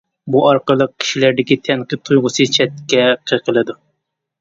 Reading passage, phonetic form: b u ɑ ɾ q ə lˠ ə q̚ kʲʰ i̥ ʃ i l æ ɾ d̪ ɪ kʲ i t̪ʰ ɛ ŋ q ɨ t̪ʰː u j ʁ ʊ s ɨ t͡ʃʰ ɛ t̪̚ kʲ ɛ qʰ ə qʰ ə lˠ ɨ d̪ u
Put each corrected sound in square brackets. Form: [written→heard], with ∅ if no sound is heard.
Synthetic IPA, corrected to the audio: b u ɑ ɾ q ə lˠ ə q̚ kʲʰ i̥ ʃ i l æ ɾ d̪ ɪ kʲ i t̪ʰ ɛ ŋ q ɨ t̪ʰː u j ʁ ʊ s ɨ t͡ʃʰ ɛ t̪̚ kʲ ɛ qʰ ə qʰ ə lˠ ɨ d̪ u